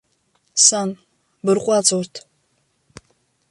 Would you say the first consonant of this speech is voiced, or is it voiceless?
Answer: voiceless